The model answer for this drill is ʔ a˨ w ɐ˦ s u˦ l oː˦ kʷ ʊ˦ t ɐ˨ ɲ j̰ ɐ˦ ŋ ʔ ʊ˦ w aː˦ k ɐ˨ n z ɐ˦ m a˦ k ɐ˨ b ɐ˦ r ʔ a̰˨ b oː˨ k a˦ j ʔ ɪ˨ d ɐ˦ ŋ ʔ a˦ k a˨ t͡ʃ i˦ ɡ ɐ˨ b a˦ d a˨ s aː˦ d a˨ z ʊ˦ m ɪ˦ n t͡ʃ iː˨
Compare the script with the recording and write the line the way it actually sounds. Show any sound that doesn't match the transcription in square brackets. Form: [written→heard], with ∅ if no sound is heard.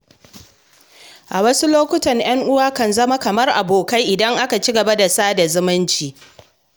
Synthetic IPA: ʔ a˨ w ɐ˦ s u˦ l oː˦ kʷ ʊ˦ t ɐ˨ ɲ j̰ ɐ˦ ŋ ʔ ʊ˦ w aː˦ k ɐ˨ n z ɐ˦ m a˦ k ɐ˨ [b→m] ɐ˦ r ʔ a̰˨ b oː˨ k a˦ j ʔ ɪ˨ d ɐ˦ ŋ ʔ a˦ k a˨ t͡ʃ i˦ ɡ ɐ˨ b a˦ d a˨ s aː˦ d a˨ z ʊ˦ m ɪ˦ n t͡ʃ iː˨